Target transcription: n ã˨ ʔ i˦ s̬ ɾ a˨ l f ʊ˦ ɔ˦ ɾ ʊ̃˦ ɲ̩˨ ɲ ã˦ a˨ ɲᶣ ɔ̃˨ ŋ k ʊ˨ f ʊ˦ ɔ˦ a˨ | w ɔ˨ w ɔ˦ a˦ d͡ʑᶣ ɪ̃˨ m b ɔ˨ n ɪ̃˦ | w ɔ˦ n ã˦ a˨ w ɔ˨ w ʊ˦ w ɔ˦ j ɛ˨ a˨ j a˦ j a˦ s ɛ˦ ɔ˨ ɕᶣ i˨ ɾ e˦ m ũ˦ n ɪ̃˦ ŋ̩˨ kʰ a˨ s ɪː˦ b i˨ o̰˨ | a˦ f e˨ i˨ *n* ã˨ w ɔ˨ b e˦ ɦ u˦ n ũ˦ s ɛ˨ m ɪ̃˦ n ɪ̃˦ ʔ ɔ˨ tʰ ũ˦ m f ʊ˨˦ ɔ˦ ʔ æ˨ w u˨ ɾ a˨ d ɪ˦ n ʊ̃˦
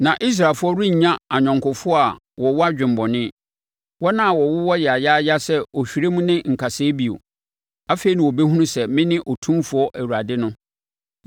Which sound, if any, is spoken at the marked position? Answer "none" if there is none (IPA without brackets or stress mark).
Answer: n